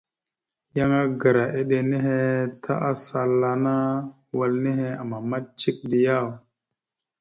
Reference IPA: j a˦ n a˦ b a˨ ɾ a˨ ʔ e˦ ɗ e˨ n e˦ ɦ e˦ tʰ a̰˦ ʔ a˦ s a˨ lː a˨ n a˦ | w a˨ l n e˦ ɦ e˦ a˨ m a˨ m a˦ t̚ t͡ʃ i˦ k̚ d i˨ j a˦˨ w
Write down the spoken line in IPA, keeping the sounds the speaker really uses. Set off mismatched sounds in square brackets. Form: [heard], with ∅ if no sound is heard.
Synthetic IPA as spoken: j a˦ [ŋ] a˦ [ɡ] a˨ ɾ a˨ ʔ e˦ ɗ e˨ n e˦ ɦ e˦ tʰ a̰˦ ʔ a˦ s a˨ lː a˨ n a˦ | w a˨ l n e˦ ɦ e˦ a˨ m a˨ m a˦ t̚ t͡ʃ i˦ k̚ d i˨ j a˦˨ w